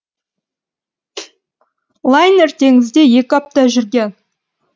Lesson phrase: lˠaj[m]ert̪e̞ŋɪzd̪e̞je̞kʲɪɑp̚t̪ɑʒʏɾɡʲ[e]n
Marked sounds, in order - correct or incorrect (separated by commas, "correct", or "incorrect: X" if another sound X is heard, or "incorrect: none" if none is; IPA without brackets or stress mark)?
incorrect: n, correct